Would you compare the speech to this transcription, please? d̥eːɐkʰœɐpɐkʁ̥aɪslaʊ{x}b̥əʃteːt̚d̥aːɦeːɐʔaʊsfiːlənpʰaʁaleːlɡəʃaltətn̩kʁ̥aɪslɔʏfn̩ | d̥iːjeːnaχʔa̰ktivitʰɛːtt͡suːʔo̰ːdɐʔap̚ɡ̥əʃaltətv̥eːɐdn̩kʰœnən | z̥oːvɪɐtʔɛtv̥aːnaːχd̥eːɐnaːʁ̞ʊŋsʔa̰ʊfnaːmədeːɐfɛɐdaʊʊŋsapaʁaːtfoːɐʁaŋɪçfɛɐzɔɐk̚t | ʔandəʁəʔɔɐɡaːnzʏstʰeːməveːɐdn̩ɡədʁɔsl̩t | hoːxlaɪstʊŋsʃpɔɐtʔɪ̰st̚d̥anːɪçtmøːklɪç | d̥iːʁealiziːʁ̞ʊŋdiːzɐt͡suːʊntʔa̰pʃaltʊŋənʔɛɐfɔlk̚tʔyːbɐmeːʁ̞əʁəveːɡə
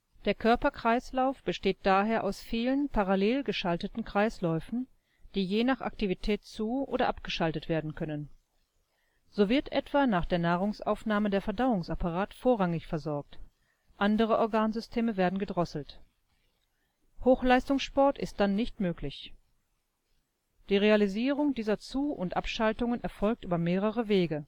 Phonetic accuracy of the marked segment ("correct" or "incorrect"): incorrect